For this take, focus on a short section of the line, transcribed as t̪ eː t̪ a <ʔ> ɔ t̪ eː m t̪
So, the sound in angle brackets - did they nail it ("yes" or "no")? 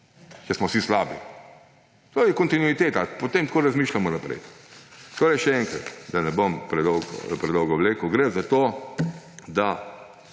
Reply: no